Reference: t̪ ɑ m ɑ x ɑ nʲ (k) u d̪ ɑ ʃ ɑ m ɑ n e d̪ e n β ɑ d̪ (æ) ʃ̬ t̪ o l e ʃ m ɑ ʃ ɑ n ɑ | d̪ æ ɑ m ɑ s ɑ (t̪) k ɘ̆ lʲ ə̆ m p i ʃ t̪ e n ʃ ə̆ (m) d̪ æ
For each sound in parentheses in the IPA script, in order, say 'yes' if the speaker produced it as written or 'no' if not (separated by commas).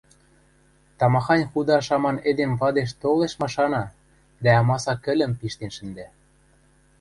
no, no, no, no